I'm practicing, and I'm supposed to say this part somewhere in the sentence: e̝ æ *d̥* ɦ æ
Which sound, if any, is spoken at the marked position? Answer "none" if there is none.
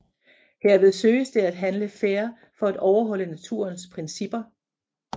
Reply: d̥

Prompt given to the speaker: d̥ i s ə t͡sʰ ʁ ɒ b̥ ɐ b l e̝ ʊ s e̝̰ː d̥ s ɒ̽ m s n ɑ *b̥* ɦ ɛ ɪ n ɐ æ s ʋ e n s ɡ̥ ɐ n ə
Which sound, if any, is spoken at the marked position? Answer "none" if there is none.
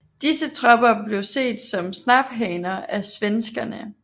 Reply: b̥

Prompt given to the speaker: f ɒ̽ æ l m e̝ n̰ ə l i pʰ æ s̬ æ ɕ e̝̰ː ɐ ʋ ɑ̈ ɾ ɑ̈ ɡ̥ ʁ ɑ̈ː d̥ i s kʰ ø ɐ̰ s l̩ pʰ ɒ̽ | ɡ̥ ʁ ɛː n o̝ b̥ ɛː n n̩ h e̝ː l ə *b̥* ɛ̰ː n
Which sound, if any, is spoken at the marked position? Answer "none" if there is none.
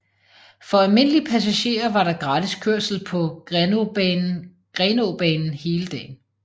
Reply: d̥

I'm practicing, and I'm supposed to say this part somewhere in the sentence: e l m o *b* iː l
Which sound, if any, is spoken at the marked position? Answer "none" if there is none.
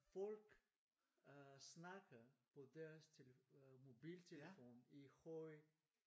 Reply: b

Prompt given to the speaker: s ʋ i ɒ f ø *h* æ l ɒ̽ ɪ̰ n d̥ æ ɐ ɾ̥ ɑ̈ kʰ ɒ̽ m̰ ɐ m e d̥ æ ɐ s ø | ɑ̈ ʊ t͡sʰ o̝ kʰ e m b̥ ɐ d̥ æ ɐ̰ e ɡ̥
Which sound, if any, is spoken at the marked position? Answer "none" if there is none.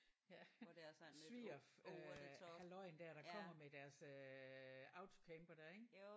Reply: h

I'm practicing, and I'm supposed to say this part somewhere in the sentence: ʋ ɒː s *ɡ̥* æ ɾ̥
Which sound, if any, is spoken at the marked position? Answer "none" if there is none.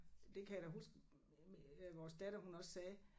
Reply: d̥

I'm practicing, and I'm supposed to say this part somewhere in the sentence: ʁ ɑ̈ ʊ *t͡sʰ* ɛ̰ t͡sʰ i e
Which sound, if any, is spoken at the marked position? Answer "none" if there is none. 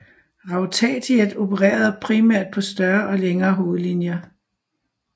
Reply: t͡sʰ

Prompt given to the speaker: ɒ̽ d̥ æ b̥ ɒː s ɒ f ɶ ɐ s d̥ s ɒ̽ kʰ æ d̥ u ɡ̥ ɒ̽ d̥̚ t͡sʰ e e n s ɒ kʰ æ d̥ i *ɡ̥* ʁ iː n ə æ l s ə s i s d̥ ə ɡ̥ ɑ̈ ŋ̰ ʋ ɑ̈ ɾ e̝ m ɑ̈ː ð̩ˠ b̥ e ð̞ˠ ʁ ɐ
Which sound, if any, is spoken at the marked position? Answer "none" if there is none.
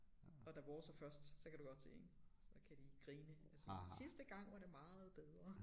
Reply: ɡ̥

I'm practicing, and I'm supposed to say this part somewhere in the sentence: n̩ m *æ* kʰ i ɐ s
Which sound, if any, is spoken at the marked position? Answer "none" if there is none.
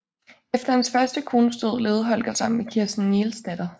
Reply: e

